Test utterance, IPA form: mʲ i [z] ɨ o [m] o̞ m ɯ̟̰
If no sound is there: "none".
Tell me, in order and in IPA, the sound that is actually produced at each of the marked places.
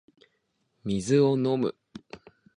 z, n

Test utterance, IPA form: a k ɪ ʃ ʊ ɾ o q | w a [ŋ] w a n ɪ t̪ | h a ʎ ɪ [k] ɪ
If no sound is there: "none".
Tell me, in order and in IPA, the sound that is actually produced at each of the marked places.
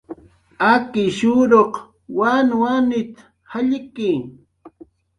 n, k

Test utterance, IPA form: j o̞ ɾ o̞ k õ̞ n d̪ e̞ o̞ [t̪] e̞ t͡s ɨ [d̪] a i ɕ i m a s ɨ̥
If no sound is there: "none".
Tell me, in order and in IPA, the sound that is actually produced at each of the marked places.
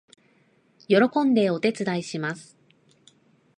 t̪, d̪

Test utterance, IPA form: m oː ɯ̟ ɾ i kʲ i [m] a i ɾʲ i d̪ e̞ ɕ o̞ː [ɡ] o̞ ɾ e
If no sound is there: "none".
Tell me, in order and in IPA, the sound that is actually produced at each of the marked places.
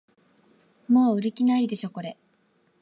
n, k

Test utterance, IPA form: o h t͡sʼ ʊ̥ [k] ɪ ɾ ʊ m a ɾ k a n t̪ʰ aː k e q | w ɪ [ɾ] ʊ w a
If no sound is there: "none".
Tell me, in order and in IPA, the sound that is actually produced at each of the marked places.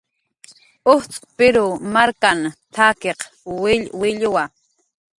p, ʎ

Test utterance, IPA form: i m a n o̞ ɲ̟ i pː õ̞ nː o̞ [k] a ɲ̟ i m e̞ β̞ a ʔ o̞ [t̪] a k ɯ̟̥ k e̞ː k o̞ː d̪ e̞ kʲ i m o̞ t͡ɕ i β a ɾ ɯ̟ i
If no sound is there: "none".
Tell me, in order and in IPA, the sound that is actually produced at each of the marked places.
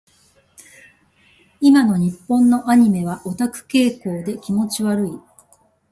ʔ, t̪

